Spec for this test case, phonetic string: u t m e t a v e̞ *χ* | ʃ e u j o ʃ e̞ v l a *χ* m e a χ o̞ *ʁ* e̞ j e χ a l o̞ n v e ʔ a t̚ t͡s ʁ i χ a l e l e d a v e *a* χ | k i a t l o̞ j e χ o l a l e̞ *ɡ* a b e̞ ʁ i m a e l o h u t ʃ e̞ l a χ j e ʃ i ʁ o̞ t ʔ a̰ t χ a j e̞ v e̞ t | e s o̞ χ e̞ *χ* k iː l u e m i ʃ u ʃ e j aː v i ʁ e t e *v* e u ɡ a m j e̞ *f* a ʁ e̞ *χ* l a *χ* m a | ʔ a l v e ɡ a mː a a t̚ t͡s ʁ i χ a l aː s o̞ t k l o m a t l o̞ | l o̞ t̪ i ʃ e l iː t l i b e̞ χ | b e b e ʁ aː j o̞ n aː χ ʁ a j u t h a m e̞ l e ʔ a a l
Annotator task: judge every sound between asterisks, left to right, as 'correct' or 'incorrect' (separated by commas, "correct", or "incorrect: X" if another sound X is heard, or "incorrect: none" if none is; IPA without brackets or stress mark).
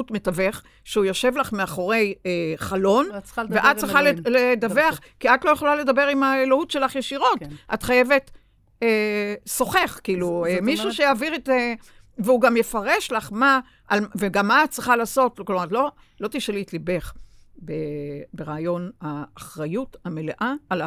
correct, correct, correct, correct, incorrect: d, correct, correct, correct, incorrect: ʃ, correct